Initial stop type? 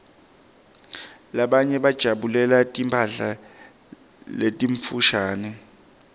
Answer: implosive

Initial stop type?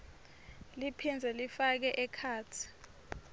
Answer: aspirated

